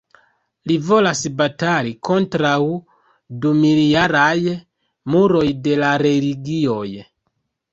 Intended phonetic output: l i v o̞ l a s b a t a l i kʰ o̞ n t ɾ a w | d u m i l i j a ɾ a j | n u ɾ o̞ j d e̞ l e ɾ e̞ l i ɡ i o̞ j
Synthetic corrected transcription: l i v o̞ l a s b a t a l i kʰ o̞ n t ɾ a w | d u m i l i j a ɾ a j | m u ɾ o̞ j d e̞ l a ɾ e̞ l i ɡ i o̞ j